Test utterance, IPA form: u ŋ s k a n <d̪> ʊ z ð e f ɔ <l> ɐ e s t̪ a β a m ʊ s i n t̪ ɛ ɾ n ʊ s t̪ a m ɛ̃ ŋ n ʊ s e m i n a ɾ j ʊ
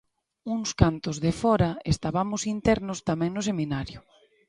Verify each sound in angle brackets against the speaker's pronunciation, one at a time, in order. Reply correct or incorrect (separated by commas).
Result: incorrect, incorrect